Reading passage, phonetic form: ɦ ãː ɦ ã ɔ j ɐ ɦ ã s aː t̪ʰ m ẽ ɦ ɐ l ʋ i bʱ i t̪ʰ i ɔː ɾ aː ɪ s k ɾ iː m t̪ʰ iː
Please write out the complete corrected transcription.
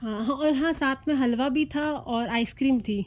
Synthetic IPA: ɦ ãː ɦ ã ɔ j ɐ ɦ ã s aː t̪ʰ m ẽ ɦ ɐ l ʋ a bʱ i t̪ʰ a ɔː ɾ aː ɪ s k ɾ iː m t̪ʰ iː